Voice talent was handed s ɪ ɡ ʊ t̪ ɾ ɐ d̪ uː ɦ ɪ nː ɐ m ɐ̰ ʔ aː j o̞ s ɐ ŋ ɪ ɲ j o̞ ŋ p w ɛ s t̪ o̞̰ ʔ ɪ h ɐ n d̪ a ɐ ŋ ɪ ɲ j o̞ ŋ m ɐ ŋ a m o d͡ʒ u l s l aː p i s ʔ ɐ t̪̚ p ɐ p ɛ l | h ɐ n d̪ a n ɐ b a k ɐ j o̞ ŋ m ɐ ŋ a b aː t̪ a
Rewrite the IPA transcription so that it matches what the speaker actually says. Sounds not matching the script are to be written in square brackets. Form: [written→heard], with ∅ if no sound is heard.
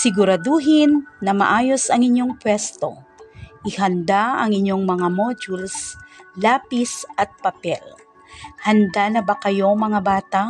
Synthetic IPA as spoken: s ɪ ɡ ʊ [t̪→∅] ɾ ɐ d̪ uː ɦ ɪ nː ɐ m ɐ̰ ʔ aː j o̞ s ɐ ŋ ɪ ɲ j o̞ ŋ p w ɛ s t̪ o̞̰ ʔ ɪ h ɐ n d̪ a ɐ ŋ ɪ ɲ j o̞ ŋ m ɐ ŋ a m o d͡ʒ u l s l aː p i s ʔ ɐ t̪̚ p ɐ p ɛ l | h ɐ n d̪ a n ɐ b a k ɐ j o̞ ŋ m ɐ ŋ a b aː t̪ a